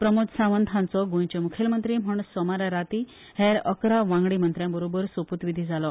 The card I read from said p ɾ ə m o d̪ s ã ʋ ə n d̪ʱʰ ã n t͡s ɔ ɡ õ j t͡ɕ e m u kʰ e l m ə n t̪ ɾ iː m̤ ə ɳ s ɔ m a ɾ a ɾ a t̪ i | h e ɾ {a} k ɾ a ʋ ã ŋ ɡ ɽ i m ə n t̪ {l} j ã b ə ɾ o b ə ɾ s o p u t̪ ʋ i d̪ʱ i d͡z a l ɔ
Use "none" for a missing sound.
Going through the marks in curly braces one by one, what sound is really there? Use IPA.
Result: ə, ɾ

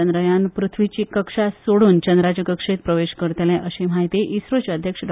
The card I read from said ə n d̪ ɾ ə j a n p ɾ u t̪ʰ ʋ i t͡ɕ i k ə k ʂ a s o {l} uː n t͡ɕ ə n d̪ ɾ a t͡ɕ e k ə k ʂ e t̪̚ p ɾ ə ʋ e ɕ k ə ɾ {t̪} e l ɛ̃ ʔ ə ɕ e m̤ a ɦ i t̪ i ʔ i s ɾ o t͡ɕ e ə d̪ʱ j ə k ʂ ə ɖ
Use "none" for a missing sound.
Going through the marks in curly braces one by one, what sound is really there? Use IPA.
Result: ɽ, t̪

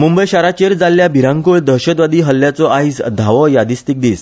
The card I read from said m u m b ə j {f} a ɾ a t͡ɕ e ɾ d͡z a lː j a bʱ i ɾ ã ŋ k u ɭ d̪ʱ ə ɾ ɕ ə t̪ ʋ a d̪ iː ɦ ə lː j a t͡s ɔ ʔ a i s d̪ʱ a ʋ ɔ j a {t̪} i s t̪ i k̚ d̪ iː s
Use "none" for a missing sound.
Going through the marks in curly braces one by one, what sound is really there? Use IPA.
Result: ɕ, d̪

